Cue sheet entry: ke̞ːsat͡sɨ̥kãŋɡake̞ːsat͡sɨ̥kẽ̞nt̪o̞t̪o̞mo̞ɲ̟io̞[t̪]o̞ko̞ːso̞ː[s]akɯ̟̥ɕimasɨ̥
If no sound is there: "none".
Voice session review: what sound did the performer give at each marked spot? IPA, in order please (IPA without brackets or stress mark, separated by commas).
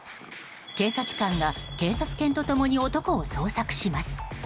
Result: t̪, s